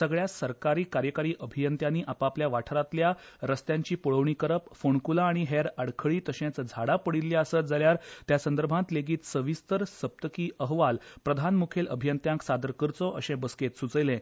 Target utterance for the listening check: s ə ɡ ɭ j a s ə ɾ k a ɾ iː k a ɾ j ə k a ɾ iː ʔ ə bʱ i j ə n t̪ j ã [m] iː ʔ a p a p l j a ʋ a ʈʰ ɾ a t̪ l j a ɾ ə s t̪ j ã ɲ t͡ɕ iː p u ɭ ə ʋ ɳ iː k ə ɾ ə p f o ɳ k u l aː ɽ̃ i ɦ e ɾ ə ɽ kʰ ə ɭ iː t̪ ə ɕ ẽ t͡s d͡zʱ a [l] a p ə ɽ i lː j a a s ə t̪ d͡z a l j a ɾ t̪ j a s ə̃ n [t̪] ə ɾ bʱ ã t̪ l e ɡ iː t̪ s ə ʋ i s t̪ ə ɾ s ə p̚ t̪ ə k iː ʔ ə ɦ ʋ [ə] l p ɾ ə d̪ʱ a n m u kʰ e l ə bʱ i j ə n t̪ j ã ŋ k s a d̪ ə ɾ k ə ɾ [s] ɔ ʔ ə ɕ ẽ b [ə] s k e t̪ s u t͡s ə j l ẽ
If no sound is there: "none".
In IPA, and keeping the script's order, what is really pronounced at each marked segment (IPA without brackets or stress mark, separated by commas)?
n, ɽ, d̪, a, t͡s, ə